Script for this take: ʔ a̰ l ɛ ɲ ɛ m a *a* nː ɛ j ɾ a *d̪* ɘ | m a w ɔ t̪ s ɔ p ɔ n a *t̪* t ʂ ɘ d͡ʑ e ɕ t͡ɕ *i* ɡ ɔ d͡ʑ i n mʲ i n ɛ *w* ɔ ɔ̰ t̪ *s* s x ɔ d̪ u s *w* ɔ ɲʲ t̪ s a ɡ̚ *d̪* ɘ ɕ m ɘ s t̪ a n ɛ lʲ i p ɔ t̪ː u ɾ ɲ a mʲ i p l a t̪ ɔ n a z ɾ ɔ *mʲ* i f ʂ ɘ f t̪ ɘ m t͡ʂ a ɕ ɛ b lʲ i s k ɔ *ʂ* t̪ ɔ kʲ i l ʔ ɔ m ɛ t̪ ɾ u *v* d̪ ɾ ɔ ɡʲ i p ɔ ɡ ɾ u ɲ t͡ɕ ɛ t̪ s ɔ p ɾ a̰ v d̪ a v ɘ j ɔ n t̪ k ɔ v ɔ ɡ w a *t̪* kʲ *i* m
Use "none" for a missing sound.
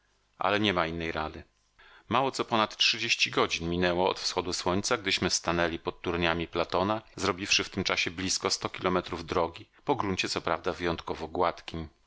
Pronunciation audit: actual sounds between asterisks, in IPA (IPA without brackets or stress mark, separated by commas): i, d̪, t̪, i, w, f, w, d̪, bʲ, s, v, t̪, i